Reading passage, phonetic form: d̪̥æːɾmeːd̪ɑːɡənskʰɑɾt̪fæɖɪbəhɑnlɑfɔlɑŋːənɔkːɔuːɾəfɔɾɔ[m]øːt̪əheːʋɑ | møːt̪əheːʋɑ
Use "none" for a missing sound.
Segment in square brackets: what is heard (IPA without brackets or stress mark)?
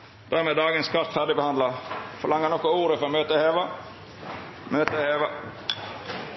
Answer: m